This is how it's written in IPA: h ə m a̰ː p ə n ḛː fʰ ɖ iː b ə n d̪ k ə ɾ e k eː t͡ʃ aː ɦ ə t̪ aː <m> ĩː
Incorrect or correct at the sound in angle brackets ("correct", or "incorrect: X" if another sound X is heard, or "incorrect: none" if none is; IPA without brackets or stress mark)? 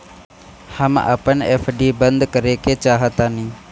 incorrect: n